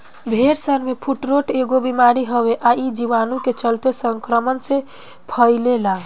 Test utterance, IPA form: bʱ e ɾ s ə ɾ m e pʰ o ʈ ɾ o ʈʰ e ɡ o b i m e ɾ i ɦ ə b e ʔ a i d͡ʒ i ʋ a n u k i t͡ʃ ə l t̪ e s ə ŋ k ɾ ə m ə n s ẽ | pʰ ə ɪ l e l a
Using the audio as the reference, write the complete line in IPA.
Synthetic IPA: bʱ e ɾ s ə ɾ m e pʰ u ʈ ɾ o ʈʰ e ɡ o b i m a ɾ i ɦ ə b e ʔ a i d͡ʒ i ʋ a n u k e t͡ʃ ə l t̪ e s ə ŋ k ɾ ə m ə n s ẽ | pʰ ə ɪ l e l a